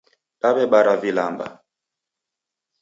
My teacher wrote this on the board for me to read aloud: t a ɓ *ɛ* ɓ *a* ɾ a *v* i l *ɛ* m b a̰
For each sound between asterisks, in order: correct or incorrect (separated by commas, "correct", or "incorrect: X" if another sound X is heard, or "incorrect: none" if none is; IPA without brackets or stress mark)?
correct, correct, correct, incorrect: a